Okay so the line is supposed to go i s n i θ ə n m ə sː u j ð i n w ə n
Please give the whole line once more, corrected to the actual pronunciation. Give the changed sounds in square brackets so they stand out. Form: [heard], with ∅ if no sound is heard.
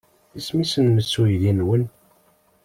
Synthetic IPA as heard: i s [m] i [s] ə n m ə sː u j ð i n w ə n